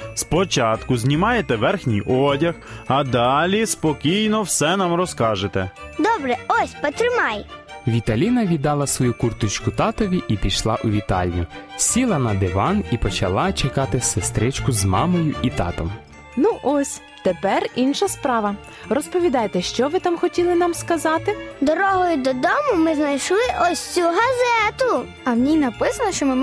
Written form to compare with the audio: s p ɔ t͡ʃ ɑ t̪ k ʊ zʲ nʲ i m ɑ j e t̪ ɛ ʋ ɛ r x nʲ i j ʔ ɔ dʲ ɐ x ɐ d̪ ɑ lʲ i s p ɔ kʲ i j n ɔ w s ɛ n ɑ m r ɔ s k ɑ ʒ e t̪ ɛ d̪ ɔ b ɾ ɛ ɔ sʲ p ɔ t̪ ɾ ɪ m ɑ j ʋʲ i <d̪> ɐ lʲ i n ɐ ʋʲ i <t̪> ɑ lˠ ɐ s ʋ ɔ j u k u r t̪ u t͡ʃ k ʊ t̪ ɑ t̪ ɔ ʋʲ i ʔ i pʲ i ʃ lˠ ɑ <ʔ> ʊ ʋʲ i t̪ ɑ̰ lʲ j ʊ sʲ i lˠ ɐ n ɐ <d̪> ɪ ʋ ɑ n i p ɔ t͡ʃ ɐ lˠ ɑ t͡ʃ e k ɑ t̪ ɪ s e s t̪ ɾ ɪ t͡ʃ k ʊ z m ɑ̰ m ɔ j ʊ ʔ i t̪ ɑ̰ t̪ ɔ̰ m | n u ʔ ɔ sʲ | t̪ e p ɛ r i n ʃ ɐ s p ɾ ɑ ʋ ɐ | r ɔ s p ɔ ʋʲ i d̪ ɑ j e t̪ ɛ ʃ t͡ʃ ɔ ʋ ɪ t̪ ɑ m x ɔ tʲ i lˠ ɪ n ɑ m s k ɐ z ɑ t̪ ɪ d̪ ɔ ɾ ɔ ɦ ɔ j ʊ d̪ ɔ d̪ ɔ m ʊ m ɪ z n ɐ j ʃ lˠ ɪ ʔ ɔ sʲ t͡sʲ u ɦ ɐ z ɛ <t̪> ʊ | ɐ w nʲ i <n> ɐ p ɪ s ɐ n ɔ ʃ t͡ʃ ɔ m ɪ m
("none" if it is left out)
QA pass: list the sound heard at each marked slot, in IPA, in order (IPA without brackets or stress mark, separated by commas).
t̪, d̪, ʔ, d̪, t̪, n